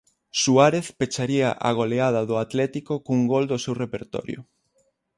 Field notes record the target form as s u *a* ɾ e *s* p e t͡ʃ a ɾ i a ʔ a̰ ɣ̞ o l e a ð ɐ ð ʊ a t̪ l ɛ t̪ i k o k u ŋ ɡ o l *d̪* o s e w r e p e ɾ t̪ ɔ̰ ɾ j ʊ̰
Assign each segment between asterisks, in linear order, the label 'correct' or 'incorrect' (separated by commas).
correct, incorrect, correct